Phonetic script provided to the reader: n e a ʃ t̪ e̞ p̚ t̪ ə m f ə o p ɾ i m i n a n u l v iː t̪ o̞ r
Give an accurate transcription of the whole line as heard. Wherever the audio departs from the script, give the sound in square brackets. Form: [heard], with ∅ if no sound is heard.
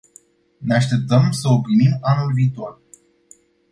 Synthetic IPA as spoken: n e a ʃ t̪ e̞ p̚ t̪ ə m [s] ə o p ɾ i m i [m] a n u l v iː t̪ o̞ r